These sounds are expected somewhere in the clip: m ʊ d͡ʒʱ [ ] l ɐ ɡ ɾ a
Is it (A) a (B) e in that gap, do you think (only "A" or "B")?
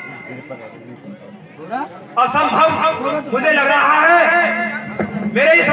B